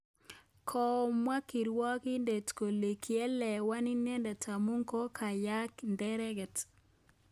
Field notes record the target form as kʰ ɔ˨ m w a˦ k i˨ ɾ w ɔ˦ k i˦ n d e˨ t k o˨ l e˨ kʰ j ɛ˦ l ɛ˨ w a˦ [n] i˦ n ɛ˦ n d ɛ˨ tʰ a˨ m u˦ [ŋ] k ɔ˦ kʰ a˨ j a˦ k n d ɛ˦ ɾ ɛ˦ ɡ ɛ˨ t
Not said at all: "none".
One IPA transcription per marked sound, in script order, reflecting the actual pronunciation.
n, ŋ

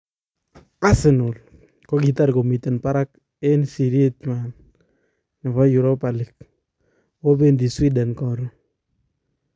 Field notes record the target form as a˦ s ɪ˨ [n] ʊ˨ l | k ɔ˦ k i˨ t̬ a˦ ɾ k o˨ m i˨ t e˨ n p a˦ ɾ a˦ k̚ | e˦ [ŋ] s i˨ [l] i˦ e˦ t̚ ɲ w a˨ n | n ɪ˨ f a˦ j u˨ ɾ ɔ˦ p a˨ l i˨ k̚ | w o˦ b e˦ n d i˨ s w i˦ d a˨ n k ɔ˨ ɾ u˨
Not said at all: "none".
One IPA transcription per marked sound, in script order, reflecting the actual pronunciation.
n, n, ɾ

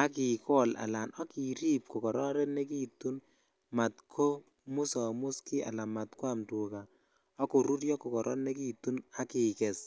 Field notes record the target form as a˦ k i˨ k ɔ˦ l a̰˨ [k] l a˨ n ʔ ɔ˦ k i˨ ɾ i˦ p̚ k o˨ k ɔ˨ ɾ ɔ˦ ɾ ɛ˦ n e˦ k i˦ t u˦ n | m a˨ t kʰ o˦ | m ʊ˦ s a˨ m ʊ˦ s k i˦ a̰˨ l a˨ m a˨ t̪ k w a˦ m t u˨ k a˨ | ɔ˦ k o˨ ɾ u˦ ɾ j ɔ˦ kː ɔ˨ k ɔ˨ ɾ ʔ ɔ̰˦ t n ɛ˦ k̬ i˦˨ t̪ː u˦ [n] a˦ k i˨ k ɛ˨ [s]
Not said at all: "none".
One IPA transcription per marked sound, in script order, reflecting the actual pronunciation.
none, n, s

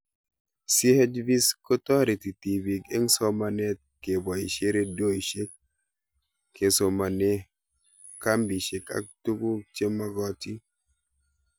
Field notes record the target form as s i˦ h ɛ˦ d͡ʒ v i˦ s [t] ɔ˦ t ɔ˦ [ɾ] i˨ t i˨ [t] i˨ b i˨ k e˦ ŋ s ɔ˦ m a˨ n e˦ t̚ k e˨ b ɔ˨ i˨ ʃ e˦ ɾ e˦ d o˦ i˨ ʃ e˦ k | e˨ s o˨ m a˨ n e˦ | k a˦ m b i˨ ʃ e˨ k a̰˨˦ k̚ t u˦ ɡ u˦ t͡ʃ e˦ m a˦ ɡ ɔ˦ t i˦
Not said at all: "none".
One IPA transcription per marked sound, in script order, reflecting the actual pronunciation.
k, ɾ, t

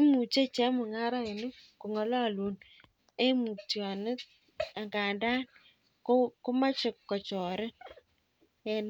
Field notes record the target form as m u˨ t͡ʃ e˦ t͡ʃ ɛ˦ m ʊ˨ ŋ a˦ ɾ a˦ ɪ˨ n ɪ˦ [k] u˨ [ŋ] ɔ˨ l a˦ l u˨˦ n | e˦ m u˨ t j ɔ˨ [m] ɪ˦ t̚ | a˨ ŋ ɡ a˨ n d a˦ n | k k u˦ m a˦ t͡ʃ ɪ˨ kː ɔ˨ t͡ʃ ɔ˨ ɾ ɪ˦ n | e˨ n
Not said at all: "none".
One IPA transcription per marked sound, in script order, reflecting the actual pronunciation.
k, ŋ, n

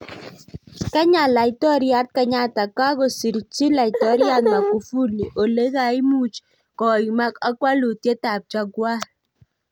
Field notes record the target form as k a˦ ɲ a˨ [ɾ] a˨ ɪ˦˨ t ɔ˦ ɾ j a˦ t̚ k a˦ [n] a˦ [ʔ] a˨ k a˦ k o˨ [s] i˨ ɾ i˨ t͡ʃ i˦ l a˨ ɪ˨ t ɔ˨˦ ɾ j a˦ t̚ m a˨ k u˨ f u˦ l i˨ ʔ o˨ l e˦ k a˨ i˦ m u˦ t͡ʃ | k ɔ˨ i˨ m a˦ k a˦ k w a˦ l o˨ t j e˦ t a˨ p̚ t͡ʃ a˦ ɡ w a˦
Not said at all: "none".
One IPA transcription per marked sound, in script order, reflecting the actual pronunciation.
l, ɲ, t, s

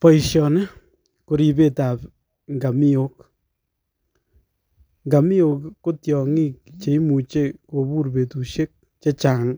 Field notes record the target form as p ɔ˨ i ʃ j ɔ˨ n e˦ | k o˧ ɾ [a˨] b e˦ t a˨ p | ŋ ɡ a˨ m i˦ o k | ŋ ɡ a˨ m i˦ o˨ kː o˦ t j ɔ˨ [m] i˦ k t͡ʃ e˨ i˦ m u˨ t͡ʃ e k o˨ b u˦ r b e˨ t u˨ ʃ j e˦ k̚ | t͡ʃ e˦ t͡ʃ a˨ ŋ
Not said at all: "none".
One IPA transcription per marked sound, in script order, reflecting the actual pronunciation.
i˨, ŋ

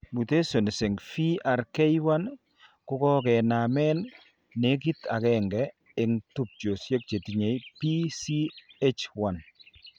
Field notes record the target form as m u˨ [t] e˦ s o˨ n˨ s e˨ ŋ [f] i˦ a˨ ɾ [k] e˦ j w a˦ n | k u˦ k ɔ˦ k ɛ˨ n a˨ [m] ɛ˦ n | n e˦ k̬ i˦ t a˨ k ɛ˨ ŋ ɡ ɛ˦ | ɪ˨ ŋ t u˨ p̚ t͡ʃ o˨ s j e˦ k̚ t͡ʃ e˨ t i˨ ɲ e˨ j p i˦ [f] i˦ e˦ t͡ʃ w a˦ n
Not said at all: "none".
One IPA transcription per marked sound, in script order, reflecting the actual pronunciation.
t, f, k, m, s

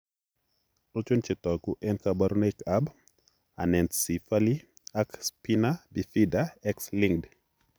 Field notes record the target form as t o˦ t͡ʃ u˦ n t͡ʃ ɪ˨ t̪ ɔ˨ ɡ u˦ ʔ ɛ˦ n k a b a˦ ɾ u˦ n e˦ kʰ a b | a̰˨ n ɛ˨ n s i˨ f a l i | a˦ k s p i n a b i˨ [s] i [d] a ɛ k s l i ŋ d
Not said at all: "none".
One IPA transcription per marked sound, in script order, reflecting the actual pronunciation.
f, d

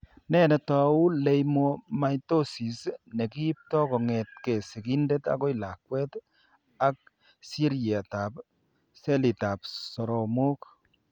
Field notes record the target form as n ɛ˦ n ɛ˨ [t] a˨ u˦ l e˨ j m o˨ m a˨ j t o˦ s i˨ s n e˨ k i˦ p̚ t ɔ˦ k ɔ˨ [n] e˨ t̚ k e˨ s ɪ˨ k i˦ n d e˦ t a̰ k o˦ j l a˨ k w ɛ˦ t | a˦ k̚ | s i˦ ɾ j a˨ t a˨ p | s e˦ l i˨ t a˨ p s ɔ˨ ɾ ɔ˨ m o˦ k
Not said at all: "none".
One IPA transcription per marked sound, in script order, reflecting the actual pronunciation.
t, ŋ

